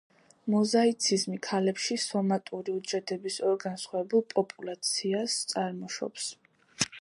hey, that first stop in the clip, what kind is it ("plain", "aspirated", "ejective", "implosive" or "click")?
plain